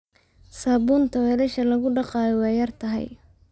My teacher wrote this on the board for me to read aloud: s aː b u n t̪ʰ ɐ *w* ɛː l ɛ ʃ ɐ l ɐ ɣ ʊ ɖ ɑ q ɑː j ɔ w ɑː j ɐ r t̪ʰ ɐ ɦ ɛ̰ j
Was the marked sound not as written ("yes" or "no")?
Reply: no